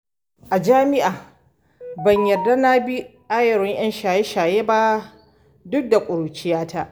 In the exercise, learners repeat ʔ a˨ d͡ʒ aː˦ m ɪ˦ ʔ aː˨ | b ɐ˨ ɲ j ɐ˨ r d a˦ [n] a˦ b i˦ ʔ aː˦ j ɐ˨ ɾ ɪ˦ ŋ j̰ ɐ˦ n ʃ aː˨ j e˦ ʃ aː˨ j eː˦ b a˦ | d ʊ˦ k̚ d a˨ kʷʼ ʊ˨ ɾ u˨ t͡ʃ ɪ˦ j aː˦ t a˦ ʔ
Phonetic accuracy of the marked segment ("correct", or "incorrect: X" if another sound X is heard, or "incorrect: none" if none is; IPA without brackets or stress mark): correct